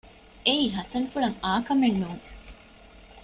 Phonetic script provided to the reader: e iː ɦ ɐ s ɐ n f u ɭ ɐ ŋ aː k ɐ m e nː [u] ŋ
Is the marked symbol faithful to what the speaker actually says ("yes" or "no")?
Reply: no